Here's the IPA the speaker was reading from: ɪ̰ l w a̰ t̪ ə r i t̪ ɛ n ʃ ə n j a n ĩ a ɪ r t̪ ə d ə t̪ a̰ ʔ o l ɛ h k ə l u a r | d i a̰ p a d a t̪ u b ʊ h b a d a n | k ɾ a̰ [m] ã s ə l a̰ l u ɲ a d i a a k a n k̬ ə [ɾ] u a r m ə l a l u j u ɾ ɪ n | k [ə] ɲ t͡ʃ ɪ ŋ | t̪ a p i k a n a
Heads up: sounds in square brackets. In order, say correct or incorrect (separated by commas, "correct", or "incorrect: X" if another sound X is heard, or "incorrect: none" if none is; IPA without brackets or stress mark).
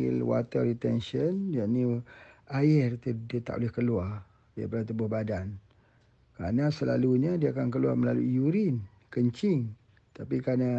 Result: incorrect: n, incorrect: l, correct